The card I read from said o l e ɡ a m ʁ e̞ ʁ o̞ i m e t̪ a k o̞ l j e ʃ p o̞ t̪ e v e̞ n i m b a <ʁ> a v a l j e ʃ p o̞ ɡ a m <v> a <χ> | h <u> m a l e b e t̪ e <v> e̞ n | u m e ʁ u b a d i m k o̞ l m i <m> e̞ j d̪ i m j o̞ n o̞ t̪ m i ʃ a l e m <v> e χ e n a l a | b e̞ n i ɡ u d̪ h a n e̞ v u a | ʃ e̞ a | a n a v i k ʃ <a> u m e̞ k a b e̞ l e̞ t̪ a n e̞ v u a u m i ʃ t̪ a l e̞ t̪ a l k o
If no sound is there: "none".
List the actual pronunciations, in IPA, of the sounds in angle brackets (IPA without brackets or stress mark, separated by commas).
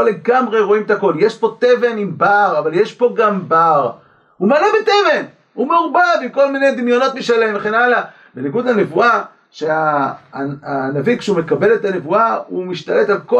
ʁ, b, ʁ, u, v, n, v, e